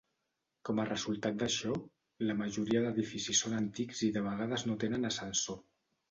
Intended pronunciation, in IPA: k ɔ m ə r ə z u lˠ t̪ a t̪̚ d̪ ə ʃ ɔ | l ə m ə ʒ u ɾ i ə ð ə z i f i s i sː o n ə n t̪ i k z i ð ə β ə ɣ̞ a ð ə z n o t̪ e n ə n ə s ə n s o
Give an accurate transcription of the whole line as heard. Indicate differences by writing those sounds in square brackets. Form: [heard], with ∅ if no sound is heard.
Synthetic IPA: k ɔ m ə r ə z u lˠ t̪ a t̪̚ d̪ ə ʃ ɔ | l ə m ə ʒ u ɾ i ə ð ə [ð] i f i s i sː o n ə n t̪ i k z i ð ə β ə ɣ̞ a ð ə z n o t̪ e n ə n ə s ə n s o